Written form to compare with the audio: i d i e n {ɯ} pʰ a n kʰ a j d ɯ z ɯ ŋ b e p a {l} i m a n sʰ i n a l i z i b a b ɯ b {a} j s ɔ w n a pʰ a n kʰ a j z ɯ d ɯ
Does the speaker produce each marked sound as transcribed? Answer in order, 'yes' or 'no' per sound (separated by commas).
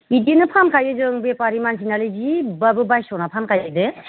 yes, no, yes